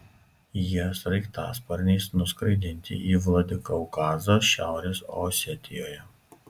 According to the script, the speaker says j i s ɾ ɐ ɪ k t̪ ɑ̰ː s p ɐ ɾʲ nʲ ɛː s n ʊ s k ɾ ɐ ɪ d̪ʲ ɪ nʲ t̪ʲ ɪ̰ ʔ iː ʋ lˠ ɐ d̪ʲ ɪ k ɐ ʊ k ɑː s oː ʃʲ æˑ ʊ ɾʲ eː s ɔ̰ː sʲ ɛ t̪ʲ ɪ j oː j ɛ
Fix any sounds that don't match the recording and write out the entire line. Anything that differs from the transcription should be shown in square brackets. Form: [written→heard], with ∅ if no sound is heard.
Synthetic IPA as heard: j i s ɾ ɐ ɪ k t̪ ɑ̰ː s p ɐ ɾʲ nʲ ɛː s n ʊ s k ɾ ɐ ɪ d̪ʲ ɪ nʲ t̪ʲ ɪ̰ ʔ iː ʋ lˠ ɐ d̪ʲ ɪ k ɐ ʊ k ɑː [s→z] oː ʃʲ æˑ ʊ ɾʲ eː s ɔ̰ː sʲ ɛ t̪ʲ ɪ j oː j ɛ

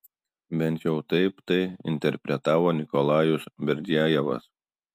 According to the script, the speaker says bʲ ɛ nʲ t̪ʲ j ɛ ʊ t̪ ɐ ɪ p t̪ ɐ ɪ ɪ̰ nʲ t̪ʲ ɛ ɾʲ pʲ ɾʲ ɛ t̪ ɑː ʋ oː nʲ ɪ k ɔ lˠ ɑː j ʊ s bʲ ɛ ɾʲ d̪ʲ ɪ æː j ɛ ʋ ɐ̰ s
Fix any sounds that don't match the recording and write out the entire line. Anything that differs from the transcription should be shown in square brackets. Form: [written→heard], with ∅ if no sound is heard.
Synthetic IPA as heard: bʲ ɛ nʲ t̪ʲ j ɛ ʊ t̪ ɐ ɪ p t̪ ɐ ɪ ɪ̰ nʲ t̪ʲ ɛ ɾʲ pʲ ɾʲ ɛ t̪ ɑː ʋ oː nʲ ɪ k ɔ lˠ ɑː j ʊ s bʲ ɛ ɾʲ d̪ʲ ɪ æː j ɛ ʋ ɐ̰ s

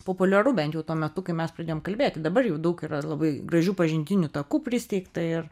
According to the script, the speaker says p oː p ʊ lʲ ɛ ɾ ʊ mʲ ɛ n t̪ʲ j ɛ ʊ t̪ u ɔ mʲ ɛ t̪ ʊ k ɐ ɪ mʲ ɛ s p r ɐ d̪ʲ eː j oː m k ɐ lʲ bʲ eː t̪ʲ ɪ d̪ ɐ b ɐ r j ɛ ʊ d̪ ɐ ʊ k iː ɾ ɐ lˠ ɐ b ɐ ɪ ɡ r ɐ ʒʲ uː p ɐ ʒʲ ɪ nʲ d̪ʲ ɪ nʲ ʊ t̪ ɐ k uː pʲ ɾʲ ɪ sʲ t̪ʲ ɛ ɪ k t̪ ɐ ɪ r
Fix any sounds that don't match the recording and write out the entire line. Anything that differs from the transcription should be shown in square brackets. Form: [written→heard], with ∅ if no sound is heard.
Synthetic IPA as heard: p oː p ʊ lʲ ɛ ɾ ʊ [mʲ→bʲ] ɛ n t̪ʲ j ɛ ʊ t̪ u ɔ mʲ ɛ t̪ ʊ k ɐ ɪ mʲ ɛ s p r ɐ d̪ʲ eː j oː m k ɐ lʲ bʲ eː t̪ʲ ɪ d̪ ɐ b ɐ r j ɛ ʊ d̪ ɐ ʊ k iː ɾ ɐ lˠ ɐ b ɐ ɪ ɡ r ɐ ʒʲ uː p ɐ ʒʲ ɪ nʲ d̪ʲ ɪ nʲ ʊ t̪ ɐ k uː pʲ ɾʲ ɪ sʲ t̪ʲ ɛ ɪ k t̪ ɐ ɪ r

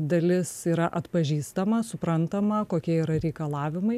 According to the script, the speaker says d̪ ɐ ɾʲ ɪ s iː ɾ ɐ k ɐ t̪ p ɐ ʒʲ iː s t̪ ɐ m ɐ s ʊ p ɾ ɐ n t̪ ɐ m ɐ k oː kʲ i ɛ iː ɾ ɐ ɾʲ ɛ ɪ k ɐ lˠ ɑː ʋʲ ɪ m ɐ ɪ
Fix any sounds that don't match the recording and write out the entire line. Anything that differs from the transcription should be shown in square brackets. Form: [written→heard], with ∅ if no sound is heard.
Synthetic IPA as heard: d̪ ɐ [ɾʲ→lʲ] ɪ s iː ɾ ɐ [k→ʔ] ɐ t̪ p ɐ ʒʲ iː s t̪ ɐ m ɐ s ʊ p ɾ ɐ n t̪ ɐ m ɐ k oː kʲ i ɛ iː ɾ ɐ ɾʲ ɛ ɪ k ɐ lˠ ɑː ʋʲ ɪ m ɐ ɪ

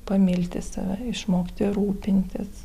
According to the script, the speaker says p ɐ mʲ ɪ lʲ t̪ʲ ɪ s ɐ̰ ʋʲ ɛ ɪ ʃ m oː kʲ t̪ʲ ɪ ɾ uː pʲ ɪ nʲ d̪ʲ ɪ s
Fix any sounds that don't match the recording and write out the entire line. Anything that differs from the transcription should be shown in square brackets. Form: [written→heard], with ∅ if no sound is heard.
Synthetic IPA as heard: p ɐ mʲ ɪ lʲ t̪ʲ ɪ s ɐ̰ ʋʲ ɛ ɪ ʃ m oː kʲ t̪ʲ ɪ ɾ uː pʲ ɪ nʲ [d̪ʲ→t̪ʲ] ɪ s

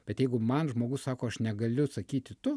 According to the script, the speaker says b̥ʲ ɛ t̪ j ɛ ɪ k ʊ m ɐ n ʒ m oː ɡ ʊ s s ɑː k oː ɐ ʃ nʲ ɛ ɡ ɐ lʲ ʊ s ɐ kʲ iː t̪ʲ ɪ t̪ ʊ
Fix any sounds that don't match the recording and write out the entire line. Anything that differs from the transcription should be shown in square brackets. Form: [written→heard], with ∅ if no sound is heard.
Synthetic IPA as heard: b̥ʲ ɛ t̪ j ɛ ɪ [k→ɡ] ʊ m ɐ n ʒ m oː ɡ ʊ s s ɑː k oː ɐ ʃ nʲ ɛ ɡ ɐ lʲ ʊ s ɐ kʲ iː t̪ʲ ɪ t̪ ʊ

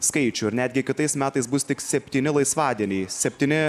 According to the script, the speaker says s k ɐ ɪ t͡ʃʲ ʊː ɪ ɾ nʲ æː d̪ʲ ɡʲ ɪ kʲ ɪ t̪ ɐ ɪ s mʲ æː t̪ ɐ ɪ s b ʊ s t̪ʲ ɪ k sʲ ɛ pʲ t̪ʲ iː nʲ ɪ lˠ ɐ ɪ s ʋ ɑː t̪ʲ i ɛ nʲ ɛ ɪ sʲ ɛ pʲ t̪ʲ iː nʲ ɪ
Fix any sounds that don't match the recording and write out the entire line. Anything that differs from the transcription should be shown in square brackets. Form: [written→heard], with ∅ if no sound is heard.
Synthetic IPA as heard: s k ɐ ɪ t͡ʃʲ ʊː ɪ ɾ nʲ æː d̪ʲ ɡʲ ɪ kʲ ɪ t̪ ɐ ɪ s mʲ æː t̪ ɐ ɪ s b ʊ s t̪ʲ ɪ k sʲ ɛ pʲ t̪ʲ iː nʲ ɪ lˠ ɐ ɪ s ʋ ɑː [t̪ʲ→d̪ʲ] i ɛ nʲ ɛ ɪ sʲ ɛ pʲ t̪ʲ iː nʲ ɪ

